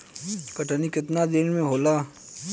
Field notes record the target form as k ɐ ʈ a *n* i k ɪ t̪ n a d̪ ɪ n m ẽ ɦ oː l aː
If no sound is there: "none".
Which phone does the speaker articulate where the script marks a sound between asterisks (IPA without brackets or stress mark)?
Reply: n